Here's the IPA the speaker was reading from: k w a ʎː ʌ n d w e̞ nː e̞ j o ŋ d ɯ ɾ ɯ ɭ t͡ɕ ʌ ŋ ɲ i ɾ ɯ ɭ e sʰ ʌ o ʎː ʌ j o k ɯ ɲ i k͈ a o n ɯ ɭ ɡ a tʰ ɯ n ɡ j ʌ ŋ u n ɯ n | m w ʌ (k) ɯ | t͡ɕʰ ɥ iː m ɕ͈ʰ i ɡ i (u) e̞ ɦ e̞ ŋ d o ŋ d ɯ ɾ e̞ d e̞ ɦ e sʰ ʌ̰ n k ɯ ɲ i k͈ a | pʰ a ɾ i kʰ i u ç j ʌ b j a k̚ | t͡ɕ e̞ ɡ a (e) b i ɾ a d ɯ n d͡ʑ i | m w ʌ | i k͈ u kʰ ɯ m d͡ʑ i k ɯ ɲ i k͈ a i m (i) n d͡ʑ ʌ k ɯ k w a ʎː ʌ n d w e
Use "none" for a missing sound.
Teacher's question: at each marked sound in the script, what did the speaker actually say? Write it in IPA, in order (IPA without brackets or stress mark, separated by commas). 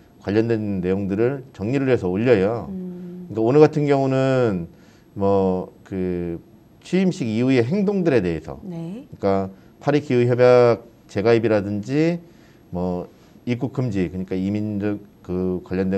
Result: k, u, i, i